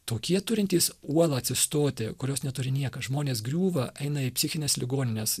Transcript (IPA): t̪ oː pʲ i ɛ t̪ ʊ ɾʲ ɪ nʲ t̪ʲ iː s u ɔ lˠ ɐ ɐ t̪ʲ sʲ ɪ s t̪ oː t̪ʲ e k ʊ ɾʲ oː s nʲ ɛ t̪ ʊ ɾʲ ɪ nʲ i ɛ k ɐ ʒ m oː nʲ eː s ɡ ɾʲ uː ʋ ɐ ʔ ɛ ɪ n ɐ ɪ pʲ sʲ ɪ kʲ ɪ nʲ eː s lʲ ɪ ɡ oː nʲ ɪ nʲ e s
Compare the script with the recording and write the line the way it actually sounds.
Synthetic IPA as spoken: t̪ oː kʲ i ɛ t̪ ʊ ɾʲ ɪ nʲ t̪ʲ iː s u ɔ lˠ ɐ ɐ t̪ʲ sʲ ɪ s t̪ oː t̪ʲ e k ʊ ɾʲ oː s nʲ ɛ t̪ ʊ ɾʲ ɪ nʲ i ɛ k ɐ ʒ m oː nʲ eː s ɡ ɾʲ uː ʋ ɐ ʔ ɛ ɪ n ɐ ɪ pʲ sʲ ɪ xʲ ɪ nʲ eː s lʲ ɪ ɡ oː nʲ ɪ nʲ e s